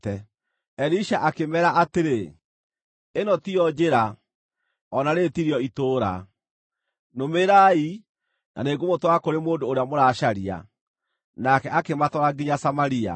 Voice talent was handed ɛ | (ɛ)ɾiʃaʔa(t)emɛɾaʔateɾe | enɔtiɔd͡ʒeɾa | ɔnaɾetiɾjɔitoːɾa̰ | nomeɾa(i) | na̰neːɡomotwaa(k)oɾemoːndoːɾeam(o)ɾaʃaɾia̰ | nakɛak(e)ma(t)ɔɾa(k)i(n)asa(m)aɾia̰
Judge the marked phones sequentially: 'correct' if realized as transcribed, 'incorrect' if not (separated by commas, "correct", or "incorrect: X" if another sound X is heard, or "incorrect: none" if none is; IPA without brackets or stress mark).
correct, incorrect: k, correct, correct, correct, correct, correct, incorrect: ɡ, incorrect: ɲ, correct